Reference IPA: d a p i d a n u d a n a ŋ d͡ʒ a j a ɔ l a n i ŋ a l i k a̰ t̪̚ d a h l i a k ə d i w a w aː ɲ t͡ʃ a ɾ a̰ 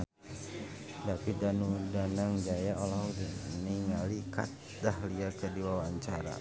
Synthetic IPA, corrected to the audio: d a p i d a n u d a n a ŋ d͡ʒ a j a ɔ l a n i ŋ a l i k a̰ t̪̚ d a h l i a k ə d i w a w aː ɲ t͡ʃ a ɾ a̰